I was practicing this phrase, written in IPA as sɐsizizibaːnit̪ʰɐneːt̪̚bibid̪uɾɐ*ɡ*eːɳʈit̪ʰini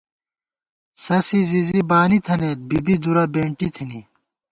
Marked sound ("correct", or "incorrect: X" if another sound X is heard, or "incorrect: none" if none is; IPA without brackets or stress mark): incorrect: b